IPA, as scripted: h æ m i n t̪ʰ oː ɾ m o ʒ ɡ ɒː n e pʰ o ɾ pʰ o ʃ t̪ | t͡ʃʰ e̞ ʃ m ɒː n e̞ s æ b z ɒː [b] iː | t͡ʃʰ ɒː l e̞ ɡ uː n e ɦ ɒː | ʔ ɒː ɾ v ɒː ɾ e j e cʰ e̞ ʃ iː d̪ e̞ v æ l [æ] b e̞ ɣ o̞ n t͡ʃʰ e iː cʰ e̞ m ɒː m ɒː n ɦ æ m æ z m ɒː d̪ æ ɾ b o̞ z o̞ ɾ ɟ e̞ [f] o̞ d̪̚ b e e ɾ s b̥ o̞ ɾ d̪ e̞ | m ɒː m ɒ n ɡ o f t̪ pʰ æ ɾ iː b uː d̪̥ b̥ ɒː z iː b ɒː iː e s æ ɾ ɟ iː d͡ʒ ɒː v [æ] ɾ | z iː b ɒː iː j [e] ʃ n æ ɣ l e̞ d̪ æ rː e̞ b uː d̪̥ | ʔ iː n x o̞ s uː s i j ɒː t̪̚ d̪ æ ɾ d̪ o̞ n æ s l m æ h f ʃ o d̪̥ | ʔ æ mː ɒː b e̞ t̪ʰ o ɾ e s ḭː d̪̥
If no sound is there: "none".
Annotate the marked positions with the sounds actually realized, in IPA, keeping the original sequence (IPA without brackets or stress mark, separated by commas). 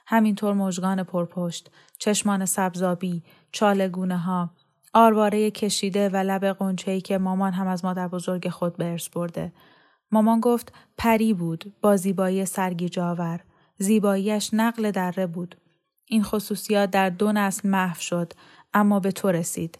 b, æ, x, æ, æ